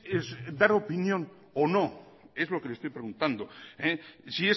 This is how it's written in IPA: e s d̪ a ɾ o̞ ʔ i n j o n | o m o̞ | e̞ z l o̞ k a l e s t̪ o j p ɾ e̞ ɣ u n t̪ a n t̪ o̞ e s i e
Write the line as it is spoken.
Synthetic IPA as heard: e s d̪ a ɾ o̞ p i n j o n | o n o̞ | e̞ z l o̞ k e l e s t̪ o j p ɾ e̞ ɣ u n t̪ a n d̪ o̞ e s i e